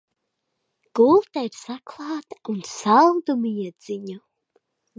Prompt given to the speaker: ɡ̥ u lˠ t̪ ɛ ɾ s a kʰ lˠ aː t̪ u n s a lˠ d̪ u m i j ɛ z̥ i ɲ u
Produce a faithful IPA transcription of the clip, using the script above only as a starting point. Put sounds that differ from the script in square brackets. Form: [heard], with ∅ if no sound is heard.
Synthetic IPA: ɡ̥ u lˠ t̪ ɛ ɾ s a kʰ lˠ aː t̪ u n s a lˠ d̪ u m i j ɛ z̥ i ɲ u